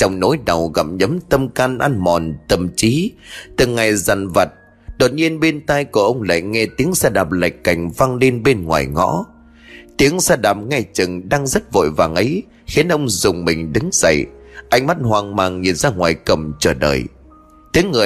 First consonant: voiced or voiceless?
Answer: voiceless